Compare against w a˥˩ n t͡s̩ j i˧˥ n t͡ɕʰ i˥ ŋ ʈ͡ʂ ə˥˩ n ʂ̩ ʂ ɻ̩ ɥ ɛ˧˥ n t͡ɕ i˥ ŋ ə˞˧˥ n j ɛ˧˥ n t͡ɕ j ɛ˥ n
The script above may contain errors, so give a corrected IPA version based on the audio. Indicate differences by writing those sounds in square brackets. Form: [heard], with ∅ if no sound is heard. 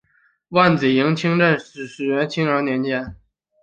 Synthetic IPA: w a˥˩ n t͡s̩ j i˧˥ [ŋ] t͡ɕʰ i˥ ŋ ʈ͡ʂ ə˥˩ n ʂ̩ ʂ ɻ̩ ɥ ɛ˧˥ n [t͡ɕʰ] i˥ ŋ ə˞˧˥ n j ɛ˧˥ n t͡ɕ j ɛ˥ n